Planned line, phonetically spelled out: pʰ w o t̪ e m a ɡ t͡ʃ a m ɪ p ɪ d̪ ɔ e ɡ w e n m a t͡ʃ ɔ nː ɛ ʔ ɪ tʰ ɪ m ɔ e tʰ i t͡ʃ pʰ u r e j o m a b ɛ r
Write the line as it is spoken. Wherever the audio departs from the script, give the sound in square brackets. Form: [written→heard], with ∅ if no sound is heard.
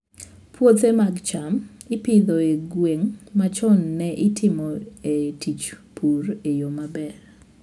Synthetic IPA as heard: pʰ w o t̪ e m a ɡ t͡ʃ a m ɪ p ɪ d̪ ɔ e ɡ w e [n→ŋ] m a t͡ʃ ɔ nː ɛ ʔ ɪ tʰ ɪ m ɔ e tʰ i t͡ʃ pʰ u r e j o m a b ɛ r